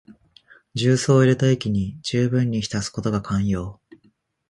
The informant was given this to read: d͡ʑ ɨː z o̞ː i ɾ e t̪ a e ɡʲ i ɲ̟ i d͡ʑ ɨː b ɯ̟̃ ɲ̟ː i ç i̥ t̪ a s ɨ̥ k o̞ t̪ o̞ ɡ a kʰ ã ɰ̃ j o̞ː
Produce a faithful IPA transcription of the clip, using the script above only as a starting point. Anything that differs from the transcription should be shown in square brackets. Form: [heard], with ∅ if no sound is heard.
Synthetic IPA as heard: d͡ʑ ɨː [s] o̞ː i ɾ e t̪ a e [kʲ] i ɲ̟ i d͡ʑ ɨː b ɯ̟̃ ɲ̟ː i ç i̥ t̪ a s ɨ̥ k o̞ t̪ o̞ ɡ a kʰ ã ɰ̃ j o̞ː